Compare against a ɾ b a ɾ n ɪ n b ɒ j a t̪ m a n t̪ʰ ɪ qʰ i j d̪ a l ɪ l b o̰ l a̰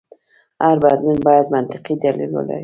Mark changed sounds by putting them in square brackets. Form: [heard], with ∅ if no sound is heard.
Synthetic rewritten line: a ɾ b a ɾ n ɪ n b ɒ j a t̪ m a n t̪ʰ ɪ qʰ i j d̪ a l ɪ l b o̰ l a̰